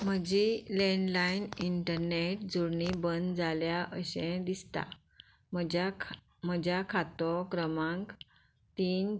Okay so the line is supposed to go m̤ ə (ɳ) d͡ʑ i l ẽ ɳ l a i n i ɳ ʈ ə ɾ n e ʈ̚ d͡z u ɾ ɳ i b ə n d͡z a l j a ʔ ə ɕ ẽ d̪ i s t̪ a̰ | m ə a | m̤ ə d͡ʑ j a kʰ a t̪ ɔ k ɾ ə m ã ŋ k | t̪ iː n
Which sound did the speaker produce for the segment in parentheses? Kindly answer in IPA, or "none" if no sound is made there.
none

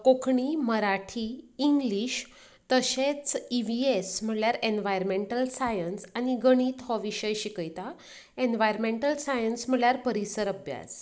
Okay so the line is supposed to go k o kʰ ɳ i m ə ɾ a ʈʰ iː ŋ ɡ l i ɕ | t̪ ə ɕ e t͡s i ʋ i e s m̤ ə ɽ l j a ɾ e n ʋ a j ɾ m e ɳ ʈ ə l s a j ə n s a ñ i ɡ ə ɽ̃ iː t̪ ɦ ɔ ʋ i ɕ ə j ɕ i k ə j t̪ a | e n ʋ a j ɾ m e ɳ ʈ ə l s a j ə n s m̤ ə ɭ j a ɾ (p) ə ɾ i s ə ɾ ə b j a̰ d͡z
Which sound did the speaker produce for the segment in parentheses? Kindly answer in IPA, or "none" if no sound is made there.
p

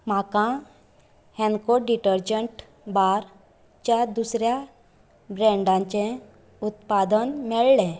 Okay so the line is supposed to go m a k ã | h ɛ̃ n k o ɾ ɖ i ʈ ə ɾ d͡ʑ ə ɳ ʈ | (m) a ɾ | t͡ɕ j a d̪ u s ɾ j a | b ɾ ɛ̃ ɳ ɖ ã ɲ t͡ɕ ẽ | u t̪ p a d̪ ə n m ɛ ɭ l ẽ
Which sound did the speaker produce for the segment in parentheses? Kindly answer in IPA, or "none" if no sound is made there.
b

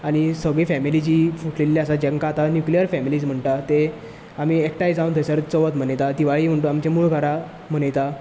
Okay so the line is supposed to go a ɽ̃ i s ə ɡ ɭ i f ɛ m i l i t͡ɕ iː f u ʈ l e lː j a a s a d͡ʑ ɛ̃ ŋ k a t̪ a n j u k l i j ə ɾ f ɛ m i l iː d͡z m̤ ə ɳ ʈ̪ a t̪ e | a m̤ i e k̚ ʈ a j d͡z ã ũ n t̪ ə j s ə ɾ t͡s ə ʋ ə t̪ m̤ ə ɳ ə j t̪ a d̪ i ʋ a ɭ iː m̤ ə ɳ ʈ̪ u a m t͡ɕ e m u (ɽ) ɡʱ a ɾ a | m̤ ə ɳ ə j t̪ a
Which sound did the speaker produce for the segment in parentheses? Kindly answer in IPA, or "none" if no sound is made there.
ɭ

